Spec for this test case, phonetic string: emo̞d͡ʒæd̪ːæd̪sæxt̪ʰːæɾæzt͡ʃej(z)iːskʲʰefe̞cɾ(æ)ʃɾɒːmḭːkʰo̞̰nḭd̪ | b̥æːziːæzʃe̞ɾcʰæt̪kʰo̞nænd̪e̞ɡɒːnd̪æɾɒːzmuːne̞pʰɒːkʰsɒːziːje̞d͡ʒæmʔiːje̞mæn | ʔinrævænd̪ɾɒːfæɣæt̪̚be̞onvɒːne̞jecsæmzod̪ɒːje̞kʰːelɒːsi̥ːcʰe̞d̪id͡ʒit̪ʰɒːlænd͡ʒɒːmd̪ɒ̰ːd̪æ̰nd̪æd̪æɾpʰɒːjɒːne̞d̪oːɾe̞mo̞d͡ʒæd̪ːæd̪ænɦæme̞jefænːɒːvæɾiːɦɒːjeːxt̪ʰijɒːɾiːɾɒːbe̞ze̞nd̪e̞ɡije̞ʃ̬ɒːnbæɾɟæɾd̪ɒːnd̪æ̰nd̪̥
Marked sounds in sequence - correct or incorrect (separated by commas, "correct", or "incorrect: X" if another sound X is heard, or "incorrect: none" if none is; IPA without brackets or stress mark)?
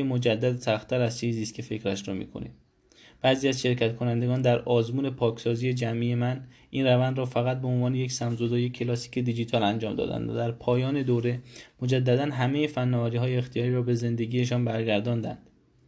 correct, correct